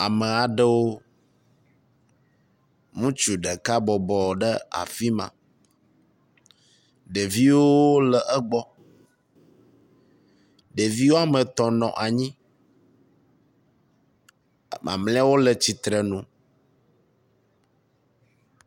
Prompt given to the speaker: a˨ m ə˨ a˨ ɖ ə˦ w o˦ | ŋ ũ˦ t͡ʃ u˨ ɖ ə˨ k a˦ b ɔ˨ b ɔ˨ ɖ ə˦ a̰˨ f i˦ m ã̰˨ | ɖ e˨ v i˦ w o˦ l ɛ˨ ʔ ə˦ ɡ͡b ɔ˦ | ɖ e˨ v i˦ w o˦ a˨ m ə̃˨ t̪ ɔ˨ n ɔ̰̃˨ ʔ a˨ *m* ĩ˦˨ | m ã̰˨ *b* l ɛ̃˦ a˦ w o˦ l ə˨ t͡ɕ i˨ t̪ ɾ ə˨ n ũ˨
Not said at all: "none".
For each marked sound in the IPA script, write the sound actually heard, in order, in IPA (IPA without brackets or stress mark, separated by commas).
ɲ, m